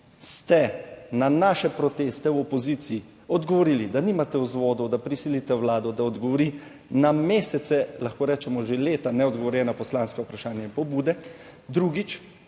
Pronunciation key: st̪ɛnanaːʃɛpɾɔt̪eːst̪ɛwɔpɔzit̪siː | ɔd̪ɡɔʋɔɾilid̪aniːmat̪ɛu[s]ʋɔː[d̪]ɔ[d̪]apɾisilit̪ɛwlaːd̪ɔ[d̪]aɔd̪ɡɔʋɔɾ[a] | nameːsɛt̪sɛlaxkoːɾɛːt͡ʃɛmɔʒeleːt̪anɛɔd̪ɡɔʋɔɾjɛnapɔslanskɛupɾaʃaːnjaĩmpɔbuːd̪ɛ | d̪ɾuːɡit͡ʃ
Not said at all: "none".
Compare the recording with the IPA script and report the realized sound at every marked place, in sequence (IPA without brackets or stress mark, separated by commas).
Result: z, d̪, d̪, d̪, i